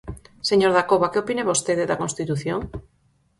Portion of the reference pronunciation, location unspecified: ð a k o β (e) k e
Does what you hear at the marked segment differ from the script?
yes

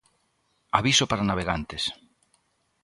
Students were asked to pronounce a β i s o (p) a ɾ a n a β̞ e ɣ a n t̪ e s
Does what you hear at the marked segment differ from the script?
no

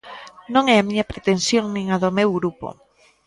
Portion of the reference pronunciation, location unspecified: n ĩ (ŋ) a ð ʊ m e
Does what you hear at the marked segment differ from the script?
no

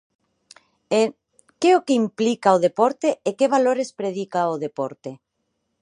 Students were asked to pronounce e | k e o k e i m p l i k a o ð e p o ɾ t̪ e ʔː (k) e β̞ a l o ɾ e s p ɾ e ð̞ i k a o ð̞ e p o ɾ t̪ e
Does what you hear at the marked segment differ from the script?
no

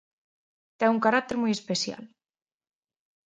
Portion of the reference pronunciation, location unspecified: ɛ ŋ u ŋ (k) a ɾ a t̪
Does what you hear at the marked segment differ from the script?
no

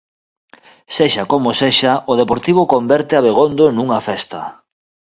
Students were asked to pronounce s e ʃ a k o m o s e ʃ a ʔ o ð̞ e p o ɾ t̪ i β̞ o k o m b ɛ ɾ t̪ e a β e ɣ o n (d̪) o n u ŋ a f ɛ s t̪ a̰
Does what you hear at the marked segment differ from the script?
no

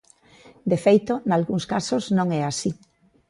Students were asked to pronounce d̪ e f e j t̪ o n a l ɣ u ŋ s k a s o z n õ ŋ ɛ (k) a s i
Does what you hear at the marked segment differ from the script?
yes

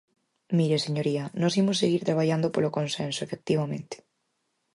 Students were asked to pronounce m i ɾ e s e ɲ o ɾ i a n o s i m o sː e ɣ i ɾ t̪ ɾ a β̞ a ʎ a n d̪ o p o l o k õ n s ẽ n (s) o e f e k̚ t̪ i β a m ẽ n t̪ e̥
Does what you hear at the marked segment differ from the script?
no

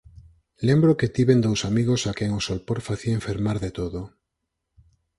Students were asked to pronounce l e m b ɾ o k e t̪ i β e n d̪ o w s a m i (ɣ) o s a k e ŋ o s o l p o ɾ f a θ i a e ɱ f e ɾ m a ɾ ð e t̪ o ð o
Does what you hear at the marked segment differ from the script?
no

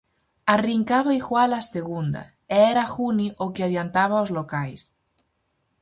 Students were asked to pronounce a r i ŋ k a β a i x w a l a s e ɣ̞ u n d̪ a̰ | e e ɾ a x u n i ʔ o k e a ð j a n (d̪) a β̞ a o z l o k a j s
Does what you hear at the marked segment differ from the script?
yes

